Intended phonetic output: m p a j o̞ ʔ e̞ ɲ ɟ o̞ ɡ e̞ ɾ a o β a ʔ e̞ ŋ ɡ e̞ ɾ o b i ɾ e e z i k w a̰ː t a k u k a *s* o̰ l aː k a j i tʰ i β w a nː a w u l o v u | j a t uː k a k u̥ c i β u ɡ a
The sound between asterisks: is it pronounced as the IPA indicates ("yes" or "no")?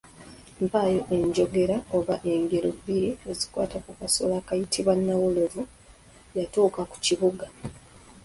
yes